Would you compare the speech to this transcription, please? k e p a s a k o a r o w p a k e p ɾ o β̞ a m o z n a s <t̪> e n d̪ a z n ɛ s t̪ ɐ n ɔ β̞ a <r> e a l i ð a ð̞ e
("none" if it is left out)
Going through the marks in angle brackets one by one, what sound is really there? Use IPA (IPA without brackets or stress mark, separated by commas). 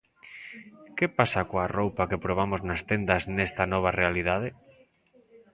t̪, r